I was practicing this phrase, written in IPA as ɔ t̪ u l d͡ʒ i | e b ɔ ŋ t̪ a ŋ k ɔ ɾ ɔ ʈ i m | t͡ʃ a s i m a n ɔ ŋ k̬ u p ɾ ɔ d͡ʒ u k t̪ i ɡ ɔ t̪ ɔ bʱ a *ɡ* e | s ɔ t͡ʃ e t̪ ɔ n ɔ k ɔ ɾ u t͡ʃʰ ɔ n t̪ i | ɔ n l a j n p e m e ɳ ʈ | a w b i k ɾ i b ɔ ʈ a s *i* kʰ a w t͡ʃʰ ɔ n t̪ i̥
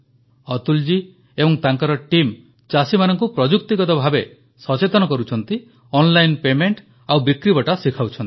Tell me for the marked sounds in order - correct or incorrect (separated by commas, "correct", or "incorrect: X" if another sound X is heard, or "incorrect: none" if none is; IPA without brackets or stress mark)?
incorrect: b, correct